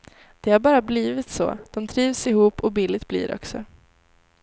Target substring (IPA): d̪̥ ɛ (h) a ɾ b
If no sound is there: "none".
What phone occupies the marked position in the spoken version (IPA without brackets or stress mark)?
h